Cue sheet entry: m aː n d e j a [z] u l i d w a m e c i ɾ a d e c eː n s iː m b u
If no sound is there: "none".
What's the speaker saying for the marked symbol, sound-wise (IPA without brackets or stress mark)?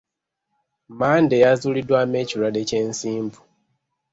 z